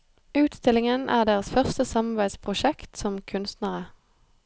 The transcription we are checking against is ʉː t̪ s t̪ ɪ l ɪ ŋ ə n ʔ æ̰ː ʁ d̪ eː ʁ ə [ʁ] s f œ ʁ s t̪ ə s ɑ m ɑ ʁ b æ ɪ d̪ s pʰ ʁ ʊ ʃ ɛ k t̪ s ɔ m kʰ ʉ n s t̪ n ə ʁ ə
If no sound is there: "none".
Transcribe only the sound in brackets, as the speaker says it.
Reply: none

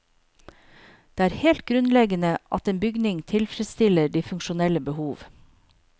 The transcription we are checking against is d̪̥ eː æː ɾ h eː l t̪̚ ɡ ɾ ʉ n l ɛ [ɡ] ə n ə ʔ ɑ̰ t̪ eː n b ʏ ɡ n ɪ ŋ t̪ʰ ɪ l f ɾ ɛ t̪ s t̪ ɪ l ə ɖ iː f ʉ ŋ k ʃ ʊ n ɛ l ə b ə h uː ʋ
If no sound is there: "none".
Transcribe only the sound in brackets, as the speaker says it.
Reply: ɡ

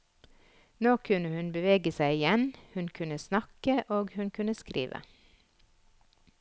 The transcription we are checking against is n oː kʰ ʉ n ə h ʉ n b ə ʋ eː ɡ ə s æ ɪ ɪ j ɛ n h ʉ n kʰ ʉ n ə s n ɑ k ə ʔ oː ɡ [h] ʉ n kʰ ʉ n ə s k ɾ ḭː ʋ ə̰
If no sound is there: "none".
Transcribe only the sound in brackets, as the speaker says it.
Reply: h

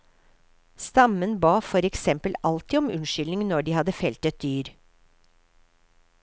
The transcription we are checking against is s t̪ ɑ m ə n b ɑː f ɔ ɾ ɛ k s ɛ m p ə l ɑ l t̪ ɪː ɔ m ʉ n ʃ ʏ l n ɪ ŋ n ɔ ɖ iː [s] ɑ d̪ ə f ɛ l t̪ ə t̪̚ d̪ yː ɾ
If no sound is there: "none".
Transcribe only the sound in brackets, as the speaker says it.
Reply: h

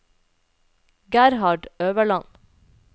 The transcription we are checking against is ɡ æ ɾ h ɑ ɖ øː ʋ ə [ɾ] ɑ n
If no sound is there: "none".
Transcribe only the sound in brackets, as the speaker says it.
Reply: ɭ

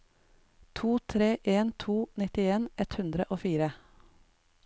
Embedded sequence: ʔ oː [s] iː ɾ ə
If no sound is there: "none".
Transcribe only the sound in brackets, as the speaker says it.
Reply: f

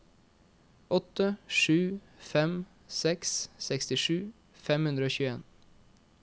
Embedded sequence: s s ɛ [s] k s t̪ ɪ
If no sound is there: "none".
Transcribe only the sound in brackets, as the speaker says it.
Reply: none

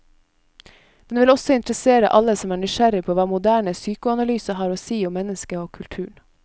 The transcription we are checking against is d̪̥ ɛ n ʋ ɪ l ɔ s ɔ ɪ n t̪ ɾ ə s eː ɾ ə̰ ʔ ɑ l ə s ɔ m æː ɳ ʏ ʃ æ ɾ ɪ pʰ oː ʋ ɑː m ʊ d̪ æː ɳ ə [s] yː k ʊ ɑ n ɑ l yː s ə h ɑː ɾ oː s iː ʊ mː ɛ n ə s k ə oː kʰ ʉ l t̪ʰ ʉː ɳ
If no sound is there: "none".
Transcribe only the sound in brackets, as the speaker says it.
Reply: s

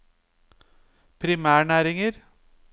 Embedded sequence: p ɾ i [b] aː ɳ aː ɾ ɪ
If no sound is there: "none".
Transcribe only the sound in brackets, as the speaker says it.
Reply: m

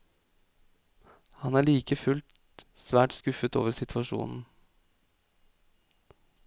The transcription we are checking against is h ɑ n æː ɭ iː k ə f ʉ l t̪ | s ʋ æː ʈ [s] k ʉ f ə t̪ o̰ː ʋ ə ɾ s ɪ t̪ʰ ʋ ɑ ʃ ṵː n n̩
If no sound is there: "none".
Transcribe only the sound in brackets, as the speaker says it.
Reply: s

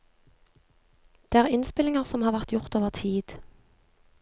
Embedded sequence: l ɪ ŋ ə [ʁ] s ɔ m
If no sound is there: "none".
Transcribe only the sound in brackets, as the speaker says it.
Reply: ʁ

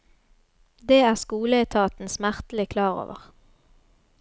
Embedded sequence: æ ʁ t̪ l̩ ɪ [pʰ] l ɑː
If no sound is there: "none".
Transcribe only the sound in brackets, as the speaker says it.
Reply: kʰ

